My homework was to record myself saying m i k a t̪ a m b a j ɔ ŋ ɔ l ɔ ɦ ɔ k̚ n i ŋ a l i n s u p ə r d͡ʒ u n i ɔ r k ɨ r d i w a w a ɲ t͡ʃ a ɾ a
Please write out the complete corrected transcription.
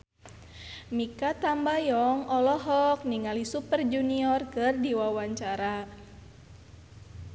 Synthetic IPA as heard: m i k a t̪ a m b a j ɔ ŋ ɔ l ɔ ɦ ɔ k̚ n i ŋ a l i s u p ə r d͡ʒ u n i ɔ r k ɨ r d i w a w a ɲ t͡ʃ a ɾ a